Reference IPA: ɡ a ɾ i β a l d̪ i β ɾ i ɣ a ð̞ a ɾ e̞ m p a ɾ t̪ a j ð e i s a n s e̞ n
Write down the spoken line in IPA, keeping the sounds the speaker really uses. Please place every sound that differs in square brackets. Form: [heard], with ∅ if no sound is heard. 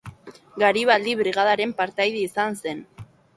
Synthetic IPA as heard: ɡ a ɾ i β a l d̪ i β ɾ i ɣ a ð̞ a ɾ e̞ m p a ɾ t̪ a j ð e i s a n s e̞ n